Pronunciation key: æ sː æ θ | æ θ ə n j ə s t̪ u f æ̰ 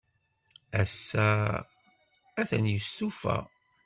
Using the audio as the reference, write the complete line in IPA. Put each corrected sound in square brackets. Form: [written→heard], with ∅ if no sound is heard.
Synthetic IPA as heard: æ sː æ [θ→∅] | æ θ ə n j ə s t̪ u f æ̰